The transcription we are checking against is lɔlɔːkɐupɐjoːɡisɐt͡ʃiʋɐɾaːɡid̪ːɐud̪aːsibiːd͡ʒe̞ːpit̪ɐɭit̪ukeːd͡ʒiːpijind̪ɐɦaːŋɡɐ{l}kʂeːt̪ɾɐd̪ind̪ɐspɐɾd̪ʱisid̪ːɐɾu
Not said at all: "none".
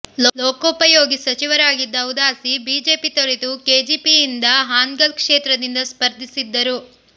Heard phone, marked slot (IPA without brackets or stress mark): l